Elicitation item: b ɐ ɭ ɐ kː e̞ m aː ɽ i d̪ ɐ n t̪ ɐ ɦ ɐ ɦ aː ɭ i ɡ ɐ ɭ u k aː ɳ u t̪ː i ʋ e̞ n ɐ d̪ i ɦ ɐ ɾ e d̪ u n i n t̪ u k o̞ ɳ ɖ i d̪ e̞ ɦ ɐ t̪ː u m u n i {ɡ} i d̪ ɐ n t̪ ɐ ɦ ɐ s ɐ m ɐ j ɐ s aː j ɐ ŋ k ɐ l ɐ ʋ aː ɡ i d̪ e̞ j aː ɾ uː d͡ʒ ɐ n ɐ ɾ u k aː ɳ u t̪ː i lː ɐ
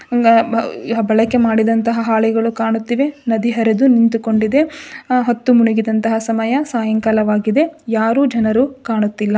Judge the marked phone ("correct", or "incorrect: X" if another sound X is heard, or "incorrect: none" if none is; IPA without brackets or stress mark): correct